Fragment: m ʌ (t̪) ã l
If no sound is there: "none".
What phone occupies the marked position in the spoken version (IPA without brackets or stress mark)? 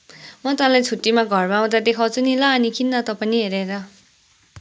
t̪